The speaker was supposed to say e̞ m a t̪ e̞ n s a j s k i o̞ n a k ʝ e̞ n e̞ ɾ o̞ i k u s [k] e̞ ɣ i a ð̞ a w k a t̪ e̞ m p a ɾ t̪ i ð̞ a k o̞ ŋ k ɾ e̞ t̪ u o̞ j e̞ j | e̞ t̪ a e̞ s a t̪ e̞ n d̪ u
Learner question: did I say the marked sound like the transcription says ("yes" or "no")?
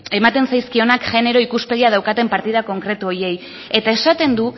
no